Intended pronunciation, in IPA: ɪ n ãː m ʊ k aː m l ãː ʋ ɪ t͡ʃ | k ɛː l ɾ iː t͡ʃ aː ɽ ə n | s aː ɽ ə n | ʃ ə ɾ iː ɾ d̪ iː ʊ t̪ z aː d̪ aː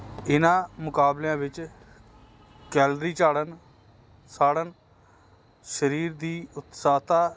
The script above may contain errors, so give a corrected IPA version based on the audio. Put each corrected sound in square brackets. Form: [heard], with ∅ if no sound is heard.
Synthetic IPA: ɪ n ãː m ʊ k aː [b] l ãː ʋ ɪ t͡ʃ | k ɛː l ɾ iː t͡ʃ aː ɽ ə n | s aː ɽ ə n | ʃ ə ɾ iː ɾ d̪ iː ʊ t̪ [s] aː [t̪] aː